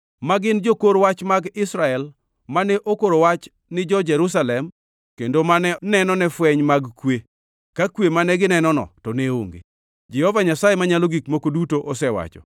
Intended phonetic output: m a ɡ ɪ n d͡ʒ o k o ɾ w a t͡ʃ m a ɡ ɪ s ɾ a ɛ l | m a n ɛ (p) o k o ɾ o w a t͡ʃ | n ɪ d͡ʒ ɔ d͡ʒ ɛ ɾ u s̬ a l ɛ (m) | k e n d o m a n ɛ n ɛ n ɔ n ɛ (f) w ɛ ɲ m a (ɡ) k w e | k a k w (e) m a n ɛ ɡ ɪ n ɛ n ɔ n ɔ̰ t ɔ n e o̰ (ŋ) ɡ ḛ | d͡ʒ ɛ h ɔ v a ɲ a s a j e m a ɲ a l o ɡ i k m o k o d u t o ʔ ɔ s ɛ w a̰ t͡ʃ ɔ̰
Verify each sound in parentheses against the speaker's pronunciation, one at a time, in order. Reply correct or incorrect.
incorrect, correct, correct, correct, correct, correct

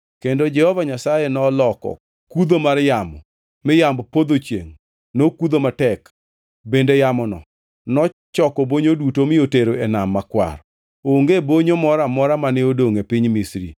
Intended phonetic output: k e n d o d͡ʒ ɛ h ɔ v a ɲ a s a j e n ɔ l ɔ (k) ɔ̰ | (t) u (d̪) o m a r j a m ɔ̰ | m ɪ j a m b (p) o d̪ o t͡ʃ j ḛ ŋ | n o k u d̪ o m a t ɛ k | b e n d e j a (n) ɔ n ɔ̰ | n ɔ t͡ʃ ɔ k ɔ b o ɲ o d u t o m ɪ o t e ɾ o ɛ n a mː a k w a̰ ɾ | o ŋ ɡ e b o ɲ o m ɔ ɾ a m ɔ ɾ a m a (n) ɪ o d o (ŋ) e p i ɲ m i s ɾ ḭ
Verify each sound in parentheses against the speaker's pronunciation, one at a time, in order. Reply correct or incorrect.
correct, incorrect, correct, correct, incorrect, correct, correct

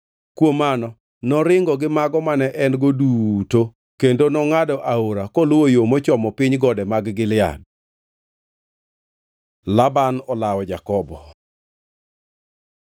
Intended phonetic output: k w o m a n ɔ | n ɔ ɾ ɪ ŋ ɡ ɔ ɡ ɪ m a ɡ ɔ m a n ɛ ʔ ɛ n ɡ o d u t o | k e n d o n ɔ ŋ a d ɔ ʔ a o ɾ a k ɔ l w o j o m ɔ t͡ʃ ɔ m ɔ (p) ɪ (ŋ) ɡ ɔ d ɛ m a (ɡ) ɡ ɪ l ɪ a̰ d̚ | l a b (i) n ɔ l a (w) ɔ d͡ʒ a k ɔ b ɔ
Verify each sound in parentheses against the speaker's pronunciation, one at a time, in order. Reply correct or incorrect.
correct, incorrect, correct, incorrect, correct

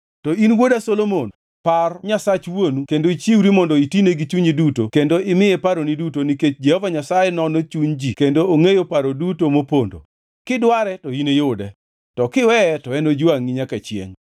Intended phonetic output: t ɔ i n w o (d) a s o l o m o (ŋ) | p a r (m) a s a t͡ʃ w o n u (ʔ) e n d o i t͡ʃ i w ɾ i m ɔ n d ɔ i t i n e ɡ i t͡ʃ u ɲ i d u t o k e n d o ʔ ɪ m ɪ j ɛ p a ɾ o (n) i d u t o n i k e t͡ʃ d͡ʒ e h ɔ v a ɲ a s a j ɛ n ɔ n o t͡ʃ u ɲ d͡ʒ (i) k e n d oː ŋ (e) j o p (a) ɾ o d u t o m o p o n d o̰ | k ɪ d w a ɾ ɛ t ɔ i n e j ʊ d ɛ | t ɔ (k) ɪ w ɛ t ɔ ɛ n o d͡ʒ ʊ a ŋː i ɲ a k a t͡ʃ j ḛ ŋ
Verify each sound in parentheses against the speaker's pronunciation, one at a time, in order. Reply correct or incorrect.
correct, incorrect, incorrect, incorrect, correct, correct, correct, correct, correct

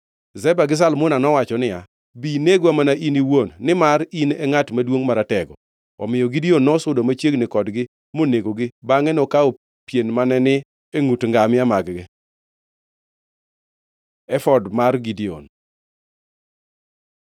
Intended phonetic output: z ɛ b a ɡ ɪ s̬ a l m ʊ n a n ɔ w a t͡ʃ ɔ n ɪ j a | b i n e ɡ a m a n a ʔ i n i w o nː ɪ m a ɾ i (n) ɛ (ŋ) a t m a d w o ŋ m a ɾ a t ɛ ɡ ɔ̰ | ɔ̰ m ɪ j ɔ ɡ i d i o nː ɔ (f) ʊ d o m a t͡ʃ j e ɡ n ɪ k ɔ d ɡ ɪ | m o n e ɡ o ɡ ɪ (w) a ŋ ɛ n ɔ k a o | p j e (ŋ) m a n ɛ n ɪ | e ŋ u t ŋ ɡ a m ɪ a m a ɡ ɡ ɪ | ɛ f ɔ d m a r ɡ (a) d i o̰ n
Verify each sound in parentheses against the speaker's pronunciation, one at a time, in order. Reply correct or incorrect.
correct, correct, incorrect, incorrect, incorrect, incorrect

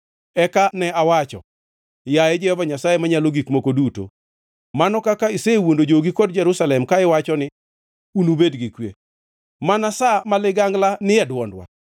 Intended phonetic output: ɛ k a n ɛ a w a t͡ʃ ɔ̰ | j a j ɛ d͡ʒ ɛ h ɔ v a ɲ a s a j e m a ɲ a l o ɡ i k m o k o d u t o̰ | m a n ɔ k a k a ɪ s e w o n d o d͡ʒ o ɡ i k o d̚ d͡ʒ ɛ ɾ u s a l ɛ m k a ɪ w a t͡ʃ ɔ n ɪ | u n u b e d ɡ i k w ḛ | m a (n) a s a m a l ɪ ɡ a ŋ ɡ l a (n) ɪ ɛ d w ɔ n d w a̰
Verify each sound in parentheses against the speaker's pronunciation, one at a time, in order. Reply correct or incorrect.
correct, correct

